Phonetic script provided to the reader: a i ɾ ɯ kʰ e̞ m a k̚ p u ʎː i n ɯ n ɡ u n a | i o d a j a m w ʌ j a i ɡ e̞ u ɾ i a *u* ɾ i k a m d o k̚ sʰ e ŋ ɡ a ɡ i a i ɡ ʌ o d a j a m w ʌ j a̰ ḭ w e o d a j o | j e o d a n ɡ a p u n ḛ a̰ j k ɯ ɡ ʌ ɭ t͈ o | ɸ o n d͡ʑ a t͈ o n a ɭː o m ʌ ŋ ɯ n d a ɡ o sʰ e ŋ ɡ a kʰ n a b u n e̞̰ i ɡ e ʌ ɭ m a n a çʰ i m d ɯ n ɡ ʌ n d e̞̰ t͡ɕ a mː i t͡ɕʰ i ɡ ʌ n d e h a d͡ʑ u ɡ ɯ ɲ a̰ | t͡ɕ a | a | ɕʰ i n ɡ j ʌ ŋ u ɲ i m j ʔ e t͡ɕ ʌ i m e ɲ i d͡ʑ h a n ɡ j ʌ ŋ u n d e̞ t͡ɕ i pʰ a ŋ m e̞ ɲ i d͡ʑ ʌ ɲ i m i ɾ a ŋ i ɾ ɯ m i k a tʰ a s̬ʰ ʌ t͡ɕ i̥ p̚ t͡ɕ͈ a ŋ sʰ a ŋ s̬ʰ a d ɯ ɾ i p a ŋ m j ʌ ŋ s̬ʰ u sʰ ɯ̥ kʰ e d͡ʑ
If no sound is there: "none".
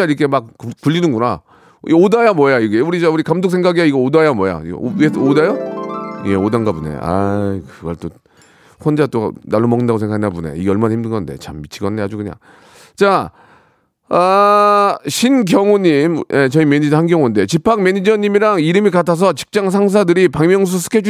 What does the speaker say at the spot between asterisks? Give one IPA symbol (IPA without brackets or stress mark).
u